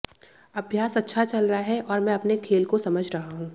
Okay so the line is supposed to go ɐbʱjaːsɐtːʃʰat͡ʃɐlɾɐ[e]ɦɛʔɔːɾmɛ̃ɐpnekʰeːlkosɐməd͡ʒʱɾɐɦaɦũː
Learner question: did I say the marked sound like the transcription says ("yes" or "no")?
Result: no